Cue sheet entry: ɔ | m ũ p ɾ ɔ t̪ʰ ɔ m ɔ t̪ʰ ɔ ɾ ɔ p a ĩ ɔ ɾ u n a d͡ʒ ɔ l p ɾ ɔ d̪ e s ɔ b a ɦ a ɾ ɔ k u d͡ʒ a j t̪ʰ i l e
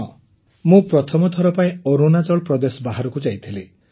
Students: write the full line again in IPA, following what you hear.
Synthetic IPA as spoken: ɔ | m ũ p ɾ ɔ t̪ʰ ɔ m ɔ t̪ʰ ɔ ɾ ɔ p a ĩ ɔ ɾ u n a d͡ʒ ɔ ɭ p ɾ ɔ d̪ e s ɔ b a ɦ a ɾ ɔ k u d͡ʒ a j t̪ʰ i l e